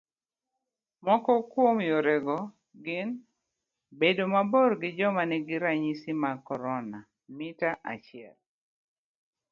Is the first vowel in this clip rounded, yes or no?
yes